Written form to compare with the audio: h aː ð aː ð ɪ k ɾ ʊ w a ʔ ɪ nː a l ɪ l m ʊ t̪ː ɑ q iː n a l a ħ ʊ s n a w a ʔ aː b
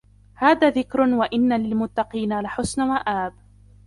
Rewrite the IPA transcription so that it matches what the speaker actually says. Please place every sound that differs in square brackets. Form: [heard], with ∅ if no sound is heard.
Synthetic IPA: h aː ð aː ð ɪ k ɾ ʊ w a ʔ ɪ nː a l ɪ l m ʊ t̪ː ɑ q iː n a l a ħ ʊ s n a w a ʔ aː b